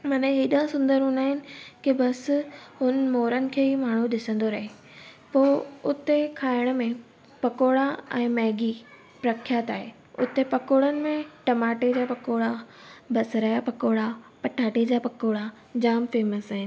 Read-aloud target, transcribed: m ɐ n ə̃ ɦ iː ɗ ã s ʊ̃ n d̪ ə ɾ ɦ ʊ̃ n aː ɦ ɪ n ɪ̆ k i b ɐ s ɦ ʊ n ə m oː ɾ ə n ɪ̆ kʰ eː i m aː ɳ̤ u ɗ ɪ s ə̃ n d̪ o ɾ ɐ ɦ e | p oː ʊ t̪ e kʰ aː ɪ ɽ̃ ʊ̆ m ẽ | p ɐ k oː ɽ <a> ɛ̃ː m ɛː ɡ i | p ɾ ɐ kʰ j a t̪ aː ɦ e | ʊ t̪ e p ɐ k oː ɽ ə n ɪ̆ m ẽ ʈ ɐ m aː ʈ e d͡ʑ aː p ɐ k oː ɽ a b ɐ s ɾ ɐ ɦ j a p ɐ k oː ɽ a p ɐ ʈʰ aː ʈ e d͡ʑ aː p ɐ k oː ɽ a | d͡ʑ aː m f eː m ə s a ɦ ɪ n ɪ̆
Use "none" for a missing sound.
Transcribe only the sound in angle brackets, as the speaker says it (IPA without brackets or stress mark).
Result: a